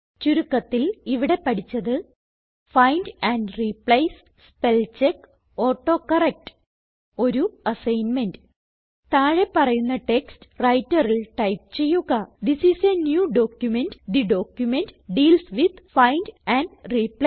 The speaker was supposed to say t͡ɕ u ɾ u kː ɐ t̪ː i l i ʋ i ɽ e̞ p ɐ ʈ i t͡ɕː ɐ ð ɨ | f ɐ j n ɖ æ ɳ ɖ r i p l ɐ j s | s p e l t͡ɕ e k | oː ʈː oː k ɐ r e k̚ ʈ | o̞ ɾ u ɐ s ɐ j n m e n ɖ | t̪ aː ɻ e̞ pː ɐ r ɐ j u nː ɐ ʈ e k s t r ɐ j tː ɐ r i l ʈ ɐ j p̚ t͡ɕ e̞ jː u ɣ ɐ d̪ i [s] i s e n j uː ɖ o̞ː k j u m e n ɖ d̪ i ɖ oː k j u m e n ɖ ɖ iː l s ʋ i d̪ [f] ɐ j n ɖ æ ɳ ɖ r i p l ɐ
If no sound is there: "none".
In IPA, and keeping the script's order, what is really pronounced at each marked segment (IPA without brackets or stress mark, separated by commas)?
s, f